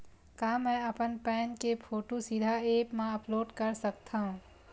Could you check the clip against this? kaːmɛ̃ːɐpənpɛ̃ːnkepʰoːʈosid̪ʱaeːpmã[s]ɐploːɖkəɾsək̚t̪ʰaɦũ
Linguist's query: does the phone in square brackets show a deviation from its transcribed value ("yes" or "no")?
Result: yes